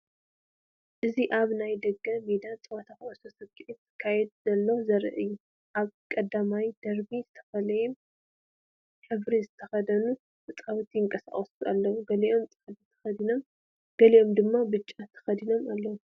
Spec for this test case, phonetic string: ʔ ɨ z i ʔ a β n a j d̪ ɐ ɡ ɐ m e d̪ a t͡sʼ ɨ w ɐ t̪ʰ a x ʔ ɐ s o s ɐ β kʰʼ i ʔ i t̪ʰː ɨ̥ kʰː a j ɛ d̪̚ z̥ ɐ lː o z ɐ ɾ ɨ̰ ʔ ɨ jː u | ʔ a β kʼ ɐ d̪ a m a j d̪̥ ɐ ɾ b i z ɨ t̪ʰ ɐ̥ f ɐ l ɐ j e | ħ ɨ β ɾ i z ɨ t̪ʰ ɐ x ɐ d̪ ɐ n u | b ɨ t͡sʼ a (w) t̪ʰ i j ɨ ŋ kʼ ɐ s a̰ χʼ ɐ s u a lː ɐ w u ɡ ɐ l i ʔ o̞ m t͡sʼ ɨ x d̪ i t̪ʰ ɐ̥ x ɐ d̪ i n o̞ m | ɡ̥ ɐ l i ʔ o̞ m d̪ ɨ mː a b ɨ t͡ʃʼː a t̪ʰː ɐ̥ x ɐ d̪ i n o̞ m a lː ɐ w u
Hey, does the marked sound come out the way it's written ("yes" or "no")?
yes